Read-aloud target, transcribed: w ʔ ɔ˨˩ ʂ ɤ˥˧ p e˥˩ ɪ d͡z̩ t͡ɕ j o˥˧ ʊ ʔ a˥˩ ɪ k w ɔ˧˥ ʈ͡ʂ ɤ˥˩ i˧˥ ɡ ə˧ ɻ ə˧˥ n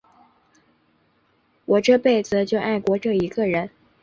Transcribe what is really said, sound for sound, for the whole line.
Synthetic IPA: w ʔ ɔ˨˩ ʈ͡ʂ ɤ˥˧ p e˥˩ ɪ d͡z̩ t͡ɕ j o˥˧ ʊ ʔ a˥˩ ɪ k w ɔ˧˥ ʈ͡ʂ ɤ˥˩ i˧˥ ɡ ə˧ ɻ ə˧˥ n